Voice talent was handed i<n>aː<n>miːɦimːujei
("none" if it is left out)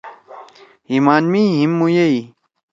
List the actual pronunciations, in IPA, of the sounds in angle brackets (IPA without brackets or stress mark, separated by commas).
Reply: m, n